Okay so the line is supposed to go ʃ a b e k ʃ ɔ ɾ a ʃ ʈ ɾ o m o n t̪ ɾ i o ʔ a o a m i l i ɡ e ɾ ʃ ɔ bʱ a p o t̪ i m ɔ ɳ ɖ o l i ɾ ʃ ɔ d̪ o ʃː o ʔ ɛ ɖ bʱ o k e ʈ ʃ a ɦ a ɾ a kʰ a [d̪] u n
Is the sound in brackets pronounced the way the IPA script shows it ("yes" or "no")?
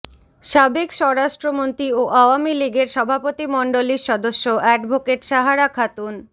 no